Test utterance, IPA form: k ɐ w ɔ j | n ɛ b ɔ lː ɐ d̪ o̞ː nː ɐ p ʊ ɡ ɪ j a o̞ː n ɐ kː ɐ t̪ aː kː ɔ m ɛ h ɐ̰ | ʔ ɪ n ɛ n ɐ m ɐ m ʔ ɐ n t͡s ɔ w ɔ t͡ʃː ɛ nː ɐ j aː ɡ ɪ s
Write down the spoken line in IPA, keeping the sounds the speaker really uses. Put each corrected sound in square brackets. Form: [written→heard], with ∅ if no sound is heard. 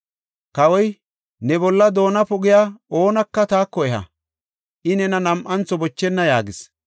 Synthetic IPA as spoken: k ɐ w ɔ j | n ɛ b ɔ lː ɐ d̪ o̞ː [nː→n] ɐ p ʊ ɡ ɪ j a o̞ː n ɐ kː ɐ t̪ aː kː ɔ [m→∅] ɛ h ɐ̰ | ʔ ɪ n ɛ n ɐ [m→n] ɐ m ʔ ɐ n t͡s ɔ [w→b] ɔ t͡ʃː ɛ nː ɐ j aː ɡ ɪ s